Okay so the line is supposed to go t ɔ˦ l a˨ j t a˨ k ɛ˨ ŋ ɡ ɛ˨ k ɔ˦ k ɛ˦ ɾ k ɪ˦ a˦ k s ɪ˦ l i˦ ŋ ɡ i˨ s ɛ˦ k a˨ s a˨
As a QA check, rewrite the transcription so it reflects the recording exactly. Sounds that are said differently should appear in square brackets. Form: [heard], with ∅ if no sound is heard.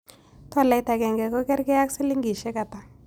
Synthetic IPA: t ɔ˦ l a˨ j t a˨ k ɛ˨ ŋ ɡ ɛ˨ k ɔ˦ k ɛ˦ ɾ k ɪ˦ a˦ k s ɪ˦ l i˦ ŋ ɡ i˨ [ʃ] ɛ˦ k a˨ [t] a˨